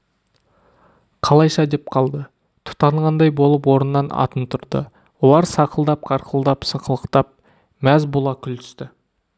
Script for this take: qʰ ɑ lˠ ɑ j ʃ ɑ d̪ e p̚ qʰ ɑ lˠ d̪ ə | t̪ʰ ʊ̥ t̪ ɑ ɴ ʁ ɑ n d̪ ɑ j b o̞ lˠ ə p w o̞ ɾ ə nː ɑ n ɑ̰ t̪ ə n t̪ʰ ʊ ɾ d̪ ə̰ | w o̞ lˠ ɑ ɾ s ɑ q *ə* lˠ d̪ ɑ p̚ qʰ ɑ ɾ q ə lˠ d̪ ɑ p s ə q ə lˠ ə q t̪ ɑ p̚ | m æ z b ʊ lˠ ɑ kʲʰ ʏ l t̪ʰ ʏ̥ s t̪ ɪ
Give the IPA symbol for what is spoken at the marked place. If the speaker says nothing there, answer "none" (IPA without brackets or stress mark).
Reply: ə